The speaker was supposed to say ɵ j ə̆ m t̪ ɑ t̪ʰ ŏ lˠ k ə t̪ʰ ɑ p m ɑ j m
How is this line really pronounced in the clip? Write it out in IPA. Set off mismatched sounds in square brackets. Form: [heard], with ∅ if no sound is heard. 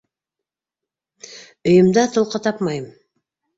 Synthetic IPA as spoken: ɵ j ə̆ m [d̪] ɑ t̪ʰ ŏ lˠ [q] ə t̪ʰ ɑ p m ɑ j m